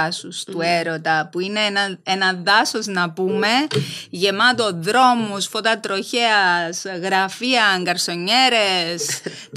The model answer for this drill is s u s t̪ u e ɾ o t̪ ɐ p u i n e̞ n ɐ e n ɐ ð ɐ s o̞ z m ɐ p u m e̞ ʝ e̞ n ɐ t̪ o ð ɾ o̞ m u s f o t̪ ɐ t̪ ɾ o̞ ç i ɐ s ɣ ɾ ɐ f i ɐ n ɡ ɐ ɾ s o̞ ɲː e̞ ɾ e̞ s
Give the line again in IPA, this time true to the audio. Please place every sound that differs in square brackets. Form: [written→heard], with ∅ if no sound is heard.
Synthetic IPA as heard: s u s t̪ u e ɾ o t̪ ɐ p u i n e̞ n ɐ e n ɐ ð ɐ s o̞ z [m→n] ɐ p u m e̞ ʝ e̞ [n→m] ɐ t̪ o ð ɾ o̞ m u s f o t̪ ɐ t̪ ɾ o̞ ç [i→e] ɐ s ɣ ɾ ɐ f i ɐ [n→ŋ] ɡ ɐ ɾ s o̞ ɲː e̞ ɾ e̞ s